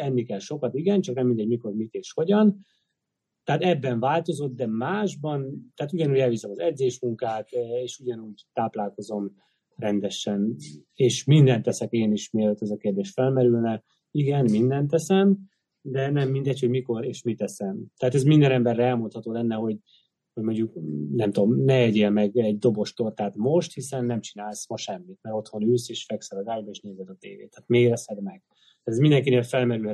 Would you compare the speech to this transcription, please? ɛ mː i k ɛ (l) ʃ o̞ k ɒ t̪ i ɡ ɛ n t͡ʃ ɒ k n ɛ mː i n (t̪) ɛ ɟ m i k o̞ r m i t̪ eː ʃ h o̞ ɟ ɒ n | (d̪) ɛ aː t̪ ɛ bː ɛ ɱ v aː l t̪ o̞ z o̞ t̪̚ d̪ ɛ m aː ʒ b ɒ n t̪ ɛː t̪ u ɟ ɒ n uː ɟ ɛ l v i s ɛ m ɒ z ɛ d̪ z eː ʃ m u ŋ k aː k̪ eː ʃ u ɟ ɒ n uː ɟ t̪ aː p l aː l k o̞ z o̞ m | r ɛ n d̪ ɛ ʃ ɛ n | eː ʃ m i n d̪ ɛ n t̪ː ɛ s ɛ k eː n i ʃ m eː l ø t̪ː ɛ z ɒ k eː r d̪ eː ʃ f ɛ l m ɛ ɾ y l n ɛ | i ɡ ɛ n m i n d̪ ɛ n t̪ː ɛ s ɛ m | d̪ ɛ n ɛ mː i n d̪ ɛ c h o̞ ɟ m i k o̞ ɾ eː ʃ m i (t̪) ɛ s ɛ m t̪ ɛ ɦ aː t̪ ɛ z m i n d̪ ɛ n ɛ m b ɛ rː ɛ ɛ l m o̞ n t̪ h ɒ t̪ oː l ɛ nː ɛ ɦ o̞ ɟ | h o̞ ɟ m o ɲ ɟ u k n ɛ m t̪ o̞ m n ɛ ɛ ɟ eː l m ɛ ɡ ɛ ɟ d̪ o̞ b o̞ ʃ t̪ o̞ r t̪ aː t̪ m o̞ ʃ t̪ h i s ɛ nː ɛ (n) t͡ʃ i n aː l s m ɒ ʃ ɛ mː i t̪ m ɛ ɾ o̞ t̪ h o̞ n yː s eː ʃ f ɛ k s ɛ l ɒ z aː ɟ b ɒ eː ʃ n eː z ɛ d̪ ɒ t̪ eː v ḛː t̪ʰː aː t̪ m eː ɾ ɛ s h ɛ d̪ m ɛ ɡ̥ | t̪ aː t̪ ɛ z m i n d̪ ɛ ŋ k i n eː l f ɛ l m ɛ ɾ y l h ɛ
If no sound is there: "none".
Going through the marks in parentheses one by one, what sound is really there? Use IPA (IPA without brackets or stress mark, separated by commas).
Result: l, d̪, t̪, t̪, m